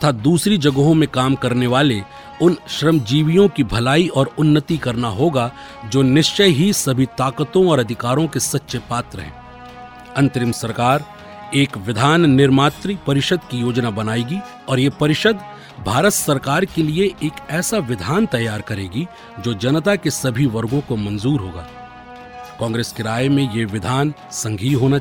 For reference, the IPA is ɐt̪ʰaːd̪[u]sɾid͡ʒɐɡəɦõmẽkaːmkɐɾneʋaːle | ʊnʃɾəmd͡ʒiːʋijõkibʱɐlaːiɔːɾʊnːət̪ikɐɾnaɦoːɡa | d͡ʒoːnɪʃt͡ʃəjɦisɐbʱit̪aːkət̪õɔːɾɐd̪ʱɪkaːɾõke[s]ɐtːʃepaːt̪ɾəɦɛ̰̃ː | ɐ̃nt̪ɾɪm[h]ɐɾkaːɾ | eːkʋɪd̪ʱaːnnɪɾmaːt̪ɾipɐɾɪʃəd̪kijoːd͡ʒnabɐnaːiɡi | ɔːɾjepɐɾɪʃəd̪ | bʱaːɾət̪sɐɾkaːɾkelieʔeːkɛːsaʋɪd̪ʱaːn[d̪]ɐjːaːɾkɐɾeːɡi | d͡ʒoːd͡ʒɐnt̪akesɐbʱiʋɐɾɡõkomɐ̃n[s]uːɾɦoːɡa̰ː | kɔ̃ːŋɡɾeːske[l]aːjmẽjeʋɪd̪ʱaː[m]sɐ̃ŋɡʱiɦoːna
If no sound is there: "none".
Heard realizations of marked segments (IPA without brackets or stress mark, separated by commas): uː, s, s, t̪, z, ɾ, n